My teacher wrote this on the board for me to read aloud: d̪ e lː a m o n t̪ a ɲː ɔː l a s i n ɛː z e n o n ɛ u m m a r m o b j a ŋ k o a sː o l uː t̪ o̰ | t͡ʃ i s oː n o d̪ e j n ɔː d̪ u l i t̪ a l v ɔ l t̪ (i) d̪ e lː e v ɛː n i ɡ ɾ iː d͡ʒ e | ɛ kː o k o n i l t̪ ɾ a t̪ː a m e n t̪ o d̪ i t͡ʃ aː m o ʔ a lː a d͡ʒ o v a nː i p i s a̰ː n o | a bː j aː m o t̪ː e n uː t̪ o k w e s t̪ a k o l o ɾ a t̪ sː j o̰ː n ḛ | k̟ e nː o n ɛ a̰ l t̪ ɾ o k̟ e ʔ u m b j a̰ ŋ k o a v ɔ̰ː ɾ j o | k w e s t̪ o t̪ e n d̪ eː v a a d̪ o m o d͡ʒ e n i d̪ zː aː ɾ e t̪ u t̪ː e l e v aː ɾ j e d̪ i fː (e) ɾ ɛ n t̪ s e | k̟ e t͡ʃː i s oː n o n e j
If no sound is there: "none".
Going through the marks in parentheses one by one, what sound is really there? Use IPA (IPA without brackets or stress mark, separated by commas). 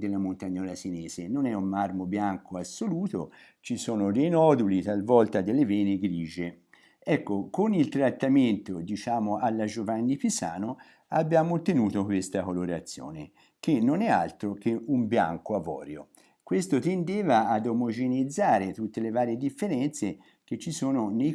a, e